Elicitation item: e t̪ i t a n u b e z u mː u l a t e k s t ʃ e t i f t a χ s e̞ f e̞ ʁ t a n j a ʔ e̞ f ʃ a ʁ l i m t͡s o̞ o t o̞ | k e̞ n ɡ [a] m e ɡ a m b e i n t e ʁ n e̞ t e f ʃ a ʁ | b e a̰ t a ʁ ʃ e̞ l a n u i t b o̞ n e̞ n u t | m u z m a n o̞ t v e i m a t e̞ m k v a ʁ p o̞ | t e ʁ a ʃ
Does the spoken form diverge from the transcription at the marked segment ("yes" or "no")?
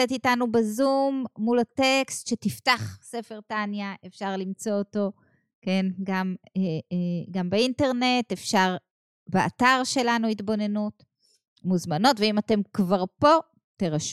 no